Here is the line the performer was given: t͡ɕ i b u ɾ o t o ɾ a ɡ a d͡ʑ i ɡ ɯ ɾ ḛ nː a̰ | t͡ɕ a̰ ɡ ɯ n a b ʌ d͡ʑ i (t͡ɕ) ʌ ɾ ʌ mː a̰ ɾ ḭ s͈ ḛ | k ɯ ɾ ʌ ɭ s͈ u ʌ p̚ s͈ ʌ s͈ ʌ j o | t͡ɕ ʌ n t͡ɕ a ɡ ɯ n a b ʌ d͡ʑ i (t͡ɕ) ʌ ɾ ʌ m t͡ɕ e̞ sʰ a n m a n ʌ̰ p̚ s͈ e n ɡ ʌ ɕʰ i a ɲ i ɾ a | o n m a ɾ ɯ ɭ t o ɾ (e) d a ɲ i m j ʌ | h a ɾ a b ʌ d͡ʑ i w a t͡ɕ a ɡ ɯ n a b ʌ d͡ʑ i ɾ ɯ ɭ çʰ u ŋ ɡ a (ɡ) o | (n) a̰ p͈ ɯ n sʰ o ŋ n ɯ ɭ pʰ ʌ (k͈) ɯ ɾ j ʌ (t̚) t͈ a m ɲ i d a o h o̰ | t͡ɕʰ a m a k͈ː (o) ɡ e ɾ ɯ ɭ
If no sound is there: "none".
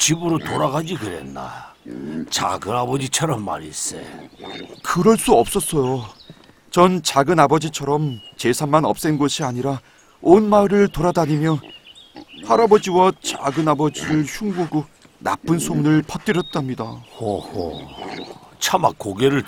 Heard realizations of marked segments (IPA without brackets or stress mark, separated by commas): t͡ɕʰ, t͡ɕʰ, a, ɡ, n, t͈, t̚, o